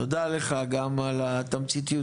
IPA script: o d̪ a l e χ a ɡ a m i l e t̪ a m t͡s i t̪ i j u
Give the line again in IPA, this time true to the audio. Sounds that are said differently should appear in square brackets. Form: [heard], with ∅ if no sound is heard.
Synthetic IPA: o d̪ a l e χ a ɡ a m [a] l [a] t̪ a m t͡s i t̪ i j u

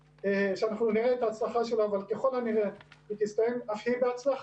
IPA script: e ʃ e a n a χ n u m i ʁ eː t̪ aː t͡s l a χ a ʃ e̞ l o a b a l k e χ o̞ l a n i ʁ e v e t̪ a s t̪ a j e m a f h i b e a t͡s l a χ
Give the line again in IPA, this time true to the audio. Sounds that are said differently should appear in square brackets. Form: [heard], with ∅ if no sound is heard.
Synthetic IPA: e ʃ e a n a χ n u [n] i ʁ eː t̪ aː t͡s l a χ a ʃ e̞ l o a [v] a l k e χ o̞ l a n i ʁ e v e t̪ [i] s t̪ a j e m a f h i b e a t͡s l a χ

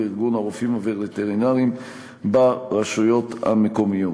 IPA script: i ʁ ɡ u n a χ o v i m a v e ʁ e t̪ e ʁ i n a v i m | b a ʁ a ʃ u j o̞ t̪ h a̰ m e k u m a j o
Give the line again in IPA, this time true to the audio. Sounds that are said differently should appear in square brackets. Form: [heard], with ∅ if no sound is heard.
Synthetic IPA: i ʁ ɡ u n a [ʁ] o [f] i m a v e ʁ e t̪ e ʁ i n a [ʁ] i m | b a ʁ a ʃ u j o̞ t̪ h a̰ m e k [o] m [i] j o

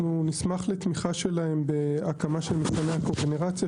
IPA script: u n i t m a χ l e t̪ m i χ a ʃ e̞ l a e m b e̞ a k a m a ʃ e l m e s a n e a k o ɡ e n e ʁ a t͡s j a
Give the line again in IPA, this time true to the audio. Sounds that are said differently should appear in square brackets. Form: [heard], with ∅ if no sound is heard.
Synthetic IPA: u n i [s] m a χ l e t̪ m i χ a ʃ e̞ l a e m b e̞ a k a m a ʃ e l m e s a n e a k o ɡ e n e ʁ a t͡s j a

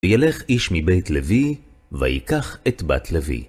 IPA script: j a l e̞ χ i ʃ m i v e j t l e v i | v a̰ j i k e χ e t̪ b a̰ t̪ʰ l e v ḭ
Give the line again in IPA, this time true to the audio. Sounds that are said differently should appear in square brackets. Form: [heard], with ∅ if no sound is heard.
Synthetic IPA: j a l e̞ χ i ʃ m i [b] e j t l e v i | v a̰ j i k [a] χ e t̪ b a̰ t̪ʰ l e v ḭ

